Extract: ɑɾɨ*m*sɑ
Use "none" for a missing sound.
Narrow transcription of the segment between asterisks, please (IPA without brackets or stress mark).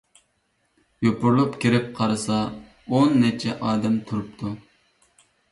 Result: none